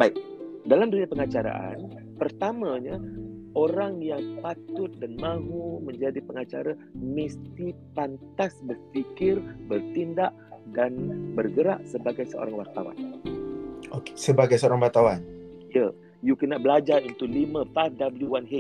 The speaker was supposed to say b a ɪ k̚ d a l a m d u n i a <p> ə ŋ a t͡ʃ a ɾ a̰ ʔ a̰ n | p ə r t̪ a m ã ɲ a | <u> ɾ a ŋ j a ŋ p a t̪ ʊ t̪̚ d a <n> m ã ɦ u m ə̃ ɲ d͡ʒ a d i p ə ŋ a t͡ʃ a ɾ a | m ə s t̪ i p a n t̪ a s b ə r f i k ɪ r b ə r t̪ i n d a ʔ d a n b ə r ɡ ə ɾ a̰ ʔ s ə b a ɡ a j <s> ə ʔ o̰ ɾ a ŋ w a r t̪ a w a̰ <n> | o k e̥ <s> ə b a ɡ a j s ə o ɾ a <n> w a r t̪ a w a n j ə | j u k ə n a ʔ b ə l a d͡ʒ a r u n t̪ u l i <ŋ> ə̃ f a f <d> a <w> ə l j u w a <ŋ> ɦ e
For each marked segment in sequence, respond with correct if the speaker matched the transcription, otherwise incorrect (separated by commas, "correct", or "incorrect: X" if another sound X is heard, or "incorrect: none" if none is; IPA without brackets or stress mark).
correct, incorrect: o, correct, correct, correct, correct, incorrect: ŋ, incorrect: m, correct, incorrect: b, incorrect: n